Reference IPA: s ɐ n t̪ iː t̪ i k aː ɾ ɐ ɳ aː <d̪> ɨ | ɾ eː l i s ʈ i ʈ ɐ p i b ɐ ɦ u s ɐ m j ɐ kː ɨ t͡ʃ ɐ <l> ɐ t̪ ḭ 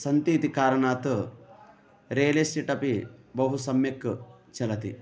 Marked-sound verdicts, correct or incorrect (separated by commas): incorrect, correct